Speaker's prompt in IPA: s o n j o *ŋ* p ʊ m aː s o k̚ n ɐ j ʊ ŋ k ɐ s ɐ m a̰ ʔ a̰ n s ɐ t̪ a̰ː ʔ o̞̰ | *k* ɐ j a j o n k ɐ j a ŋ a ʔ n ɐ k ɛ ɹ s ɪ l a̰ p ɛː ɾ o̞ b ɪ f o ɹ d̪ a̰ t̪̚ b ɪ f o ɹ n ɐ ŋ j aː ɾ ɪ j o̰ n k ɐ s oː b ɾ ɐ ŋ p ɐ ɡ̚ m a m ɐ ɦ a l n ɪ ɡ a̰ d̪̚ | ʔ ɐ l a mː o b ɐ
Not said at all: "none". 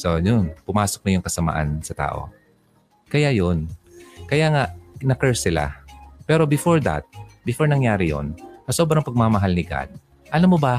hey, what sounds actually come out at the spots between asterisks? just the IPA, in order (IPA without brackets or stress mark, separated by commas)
n, k